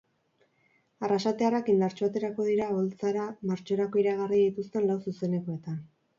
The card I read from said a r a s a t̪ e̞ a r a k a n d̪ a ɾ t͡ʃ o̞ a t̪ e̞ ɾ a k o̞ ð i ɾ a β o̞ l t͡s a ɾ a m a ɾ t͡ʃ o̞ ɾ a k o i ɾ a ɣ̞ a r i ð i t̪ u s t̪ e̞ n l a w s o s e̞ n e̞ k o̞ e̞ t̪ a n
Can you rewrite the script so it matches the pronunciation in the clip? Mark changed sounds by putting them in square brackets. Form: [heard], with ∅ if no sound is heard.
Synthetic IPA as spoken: a r a s a t̪ e̞ a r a k [i] n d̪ a ɾ t͡ʃ o̞ a t̪ e̞ ɾ a k o̞ ð i ɾ a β o̞ l t͡s a ɾ a m a ɾ t͡ʃ o̞ ɾ a k o i ɾ a ɣ̞ a r i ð i t̪ u s t̪ e̞ n l a w s [u] s e̞ n e̞ k o̞ e̞ t̪ a n